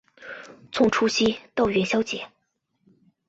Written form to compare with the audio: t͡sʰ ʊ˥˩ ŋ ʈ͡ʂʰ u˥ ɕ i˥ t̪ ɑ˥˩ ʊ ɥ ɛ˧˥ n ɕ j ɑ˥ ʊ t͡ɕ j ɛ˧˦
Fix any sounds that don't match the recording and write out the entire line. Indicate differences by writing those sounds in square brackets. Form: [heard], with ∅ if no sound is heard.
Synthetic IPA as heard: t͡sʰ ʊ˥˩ ŋ ʈ͡ʂʰ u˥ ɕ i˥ t̪ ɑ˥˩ ʊ ɥ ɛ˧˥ n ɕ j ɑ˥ ʊ t͡ɕ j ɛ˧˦